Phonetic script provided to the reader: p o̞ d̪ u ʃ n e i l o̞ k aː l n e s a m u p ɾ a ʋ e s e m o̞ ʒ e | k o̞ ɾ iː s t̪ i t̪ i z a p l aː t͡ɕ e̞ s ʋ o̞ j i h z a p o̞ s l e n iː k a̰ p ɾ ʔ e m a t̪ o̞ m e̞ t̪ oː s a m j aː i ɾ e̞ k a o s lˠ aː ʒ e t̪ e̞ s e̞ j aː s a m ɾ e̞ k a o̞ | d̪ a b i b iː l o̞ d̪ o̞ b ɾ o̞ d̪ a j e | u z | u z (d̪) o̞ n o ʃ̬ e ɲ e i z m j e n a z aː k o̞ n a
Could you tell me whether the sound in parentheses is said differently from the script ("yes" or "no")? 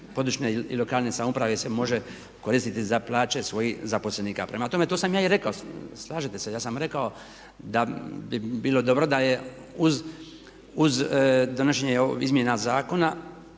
no